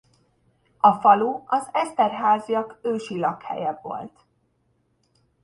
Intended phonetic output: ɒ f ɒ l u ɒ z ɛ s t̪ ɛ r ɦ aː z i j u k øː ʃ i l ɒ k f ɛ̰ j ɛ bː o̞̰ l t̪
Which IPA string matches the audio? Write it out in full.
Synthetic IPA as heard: ɒ f ɒ l u ɒ z ɛ s t̪ ɛ r ɦ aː z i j ɒ k øː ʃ i l ɒ k h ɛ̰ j ɛ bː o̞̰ l t̪

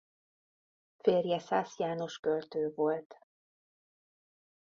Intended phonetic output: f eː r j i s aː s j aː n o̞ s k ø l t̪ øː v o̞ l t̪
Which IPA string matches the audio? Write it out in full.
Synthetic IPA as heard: f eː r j ɛ s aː s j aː n o̞ ʃ k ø l t̪ øː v o̞ l t̪

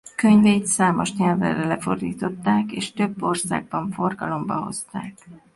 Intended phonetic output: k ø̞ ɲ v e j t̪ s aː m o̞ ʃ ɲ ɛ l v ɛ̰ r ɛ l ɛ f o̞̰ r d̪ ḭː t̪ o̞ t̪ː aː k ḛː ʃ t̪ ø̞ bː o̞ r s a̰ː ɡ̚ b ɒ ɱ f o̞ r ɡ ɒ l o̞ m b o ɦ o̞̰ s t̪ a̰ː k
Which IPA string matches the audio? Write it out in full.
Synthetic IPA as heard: k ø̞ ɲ v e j t̪ s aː m o̞ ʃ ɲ ɛ l v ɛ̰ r ɛ l ɛ f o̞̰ r d̪ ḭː t̪ o̞ t̪ː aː k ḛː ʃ t̪ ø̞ bː o̞ r s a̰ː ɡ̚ b ɒ ɱ f o̞ r ɡ ɒ l o̞ m b ɒ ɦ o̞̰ s t̪ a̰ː k

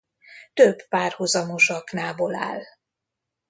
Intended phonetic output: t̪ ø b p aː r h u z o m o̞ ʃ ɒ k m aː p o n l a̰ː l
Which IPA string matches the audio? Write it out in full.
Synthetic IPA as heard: t̪ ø b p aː r h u z ɒ m o̞ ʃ ɒ k n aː b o l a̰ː l

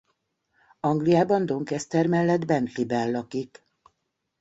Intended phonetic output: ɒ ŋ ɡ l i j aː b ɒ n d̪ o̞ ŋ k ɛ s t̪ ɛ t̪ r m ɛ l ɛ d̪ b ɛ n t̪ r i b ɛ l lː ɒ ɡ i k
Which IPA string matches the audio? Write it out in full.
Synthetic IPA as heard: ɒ ŋ ɡ l i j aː b ɒ n d̪ o̞ ŋ k ɛ s t̪ ɛ r m ɛ lː ɛ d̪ b ɛ n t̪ l i b ɛ l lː ɒ k i k

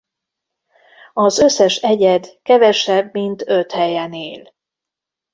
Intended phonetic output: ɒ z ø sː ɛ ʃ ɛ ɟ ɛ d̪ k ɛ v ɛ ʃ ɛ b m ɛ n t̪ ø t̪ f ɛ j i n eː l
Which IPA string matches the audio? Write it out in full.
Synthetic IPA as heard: ɒ z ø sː ɛ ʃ ɛ ɟ ɛ d̪ k ɛ v ɛ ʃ ɛ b m i n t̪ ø t̪ h ɛ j ɛ n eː l

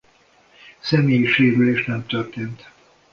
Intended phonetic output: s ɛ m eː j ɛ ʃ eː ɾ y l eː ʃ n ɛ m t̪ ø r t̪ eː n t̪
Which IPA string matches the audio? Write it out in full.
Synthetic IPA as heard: s ɛ m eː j i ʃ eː ɾ y l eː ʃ n ɛ m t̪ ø r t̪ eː n t̪

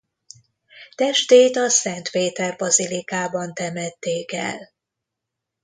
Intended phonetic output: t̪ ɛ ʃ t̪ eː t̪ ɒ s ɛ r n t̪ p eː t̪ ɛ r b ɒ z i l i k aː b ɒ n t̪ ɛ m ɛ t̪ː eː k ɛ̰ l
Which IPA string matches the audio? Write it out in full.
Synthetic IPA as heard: t̪ ɛ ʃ t̪ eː t̪ ɒ s ɛ n t̪ p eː t̪ ɛ r b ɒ z i l i k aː b ɒ n t̪ ɛ m ɛ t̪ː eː k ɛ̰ l

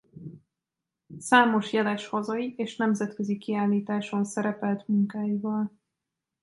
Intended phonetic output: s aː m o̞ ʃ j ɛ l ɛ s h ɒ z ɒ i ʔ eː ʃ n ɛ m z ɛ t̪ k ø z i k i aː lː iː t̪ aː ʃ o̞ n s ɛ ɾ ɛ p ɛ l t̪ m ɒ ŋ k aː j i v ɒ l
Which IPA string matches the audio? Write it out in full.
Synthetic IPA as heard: s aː m o̞ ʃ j ɛ l ɛ ʃ h ɒ z ɒ i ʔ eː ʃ n ɛ m z ɛ t̪ k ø z i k i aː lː iː t̪ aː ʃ o̞ n s ɛ ɾ ɛ p ɛ l t̪ m u ŋ k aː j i v ɒ l

